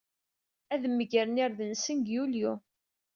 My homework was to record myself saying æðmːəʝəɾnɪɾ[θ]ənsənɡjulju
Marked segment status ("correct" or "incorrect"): incorrect